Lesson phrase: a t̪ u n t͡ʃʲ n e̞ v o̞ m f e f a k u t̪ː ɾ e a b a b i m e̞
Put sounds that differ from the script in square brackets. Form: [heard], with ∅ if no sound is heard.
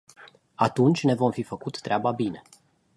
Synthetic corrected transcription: a t̪ u n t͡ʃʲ n e̞ v o̞ m f [i] f [ə] k u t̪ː ɾ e a b a b i [n] e̞